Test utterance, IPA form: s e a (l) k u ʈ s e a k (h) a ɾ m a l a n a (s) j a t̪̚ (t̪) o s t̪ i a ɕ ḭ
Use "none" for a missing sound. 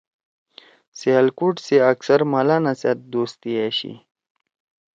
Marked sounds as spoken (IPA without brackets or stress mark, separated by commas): l, s, s, d̪